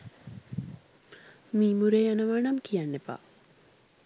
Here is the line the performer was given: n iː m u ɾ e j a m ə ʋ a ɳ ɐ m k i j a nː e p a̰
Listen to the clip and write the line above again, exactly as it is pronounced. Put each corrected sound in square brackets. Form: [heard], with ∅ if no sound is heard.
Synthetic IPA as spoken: [m] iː m u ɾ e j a [n] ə ʋ a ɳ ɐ m k i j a nː e p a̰